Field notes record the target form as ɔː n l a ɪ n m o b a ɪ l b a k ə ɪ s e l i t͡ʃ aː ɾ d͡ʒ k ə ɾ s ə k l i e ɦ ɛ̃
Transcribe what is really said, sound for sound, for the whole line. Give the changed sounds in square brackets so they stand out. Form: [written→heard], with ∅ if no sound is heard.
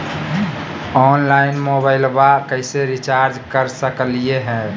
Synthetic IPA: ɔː n l a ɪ n m o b a ɪ l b a k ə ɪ s e [l→ɾ] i t͡ʃ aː ɾ d͡ʒ k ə ɾ s ə k l i e ɦ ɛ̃